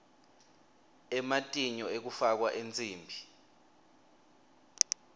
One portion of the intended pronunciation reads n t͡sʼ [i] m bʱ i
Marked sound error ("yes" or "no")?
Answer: yes